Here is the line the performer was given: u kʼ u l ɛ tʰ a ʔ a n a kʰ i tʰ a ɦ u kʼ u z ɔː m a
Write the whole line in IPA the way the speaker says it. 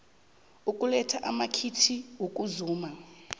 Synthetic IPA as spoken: u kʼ u l ɛ tʰ a ʔ a m a kʰ i tʰ i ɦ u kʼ u z uː m a